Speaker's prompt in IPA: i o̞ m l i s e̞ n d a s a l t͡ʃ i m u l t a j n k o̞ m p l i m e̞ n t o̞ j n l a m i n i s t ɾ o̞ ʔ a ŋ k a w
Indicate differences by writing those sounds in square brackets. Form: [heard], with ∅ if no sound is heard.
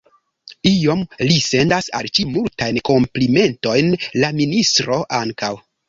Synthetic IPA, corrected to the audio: i o̞ m l i s e̞ n d a s a l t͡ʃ i m u l t a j n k o̞ m p l i m e̞ n t o̞ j n l a m i n i s t ɾ o̞ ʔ a ŋ k a w